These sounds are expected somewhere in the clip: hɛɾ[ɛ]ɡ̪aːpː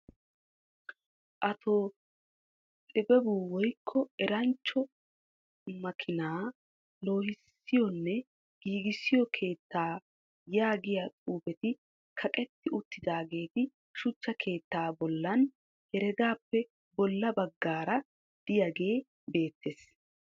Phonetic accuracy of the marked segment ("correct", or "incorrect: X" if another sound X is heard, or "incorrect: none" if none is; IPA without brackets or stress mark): correct